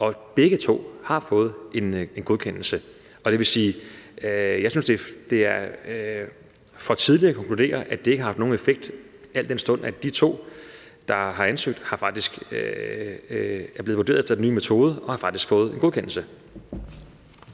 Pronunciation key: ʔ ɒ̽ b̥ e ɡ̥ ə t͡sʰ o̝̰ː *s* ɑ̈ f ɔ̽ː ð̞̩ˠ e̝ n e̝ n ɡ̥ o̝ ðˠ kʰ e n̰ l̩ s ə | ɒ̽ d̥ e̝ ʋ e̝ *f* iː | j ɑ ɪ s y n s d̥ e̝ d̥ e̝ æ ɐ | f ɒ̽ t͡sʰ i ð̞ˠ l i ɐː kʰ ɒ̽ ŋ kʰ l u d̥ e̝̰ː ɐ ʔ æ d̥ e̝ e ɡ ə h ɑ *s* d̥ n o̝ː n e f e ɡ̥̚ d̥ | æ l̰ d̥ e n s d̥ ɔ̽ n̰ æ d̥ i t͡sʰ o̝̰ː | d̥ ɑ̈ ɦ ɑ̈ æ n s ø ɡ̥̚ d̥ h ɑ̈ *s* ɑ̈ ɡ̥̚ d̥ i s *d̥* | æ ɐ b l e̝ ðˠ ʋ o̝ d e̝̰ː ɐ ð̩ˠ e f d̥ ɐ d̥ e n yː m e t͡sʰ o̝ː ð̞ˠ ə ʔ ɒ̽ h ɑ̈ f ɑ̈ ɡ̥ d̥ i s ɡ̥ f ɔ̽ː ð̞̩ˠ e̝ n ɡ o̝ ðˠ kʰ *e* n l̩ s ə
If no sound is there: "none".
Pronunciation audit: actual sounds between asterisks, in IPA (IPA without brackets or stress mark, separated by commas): h, s, f, f, ɡ̥, e